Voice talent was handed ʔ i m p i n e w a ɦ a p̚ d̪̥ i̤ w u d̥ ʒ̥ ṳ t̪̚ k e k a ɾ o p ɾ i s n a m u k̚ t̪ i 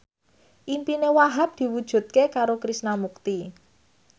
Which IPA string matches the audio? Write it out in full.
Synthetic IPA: ʔ i m p i n e w a ɦ a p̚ d̪̥ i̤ w u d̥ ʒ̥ ṳ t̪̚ k e k a ɾ o k ɾ i s n a m u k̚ t̪ i